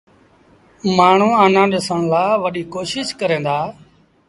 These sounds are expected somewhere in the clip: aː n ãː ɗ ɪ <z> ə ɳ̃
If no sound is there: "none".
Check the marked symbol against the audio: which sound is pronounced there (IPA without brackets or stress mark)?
s